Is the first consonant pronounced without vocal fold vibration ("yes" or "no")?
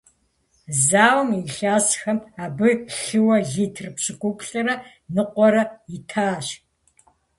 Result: no